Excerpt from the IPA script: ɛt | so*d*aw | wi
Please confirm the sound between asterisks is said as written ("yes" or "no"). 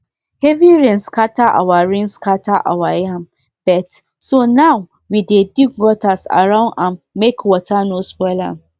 no